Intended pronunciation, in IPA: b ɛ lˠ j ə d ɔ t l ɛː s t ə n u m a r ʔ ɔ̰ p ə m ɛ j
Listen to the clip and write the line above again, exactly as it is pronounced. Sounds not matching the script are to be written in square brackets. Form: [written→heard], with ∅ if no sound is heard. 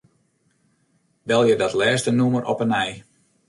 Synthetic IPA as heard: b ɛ lˠ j ə d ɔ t l ɛː s t ə n u m [a→ə] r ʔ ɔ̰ p ə [m→n] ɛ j